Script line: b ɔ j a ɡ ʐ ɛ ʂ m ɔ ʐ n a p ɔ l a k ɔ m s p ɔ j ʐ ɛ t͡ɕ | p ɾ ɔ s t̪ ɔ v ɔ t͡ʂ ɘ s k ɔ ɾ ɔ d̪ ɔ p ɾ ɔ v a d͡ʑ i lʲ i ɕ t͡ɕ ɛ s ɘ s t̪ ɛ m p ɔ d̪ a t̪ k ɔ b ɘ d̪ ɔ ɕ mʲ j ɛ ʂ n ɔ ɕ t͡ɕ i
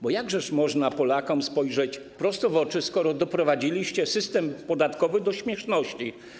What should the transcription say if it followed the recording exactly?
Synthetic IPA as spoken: b ɔ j a ɡ ʐ ɛ ʂ m ɔ ʐ n a p ɔ l a k ɔ m s p ɔ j ʐ ɛ t͡ɕ | p ɾ ɔ s t̪ ɔ v ɔ t͡ʂ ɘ s k ɔ ɾ ɔ d̪ ɔ p ɾ ɔ v a d͡ʑ i lʲ i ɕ t͡ɕ ɛ s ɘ s t̪ ɛ m p ɔ d̪ a t̪ k ɔ v ɘ d̪ ɔ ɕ mʲ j ɛ ʂ n ɔ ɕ t͡ɕ i